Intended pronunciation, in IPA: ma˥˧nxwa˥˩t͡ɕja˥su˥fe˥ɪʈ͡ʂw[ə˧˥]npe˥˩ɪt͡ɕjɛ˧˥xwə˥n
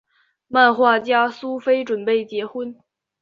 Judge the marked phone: incorrect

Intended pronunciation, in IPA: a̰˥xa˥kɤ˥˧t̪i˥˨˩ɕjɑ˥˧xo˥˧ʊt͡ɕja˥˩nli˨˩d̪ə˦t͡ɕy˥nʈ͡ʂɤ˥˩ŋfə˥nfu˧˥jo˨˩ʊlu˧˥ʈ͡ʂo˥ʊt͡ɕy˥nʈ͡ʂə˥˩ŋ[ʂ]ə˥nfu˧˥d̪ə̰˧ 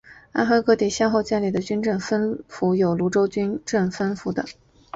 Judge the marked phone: incorrect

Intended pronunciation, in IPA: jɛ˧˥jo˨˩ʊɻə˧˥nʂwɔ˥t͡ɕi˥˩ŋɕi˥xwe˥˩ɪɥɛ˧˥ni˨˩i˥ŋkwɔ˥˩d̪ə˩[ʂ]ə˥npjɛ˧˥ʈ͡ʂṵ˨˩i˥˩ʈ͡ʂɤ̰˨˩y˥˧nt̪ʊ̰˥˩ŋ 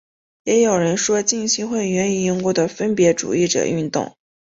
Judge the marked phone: incorrect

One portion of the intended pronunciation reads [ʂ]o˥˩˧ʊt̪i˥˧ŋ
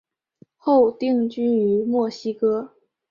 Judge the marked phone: incorrect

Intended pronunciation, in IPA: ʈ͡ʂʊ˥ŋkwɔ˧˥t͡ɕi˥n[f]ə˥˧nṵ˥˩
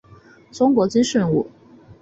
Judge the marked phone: incorrect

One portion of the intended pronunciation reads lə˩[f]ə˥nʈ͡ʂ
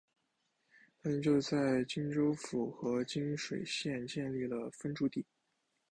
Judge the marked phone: correct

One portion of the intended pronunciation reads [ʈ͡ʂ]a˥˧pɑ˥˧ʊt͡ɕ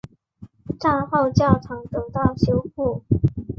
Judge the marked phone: correct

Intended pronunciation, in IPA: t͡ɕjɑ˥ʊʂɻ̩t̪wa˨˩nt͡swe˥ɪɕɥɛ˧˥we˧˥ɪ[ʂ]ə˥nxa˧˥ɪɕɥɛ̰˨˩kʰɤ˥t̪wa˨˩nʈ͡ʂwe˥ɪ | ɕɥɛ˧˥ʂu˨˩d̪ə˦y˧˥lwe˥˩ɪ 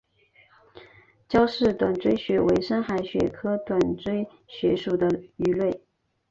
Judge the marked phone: correct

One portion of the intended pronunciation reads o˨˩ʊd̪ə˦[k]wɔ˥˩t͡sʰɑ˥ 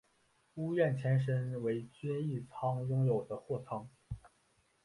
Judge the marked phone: incorrect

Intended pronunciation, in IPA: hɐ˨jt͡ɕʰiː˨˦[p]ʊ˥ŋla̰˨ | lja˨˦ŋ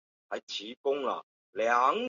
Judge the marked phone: incorrect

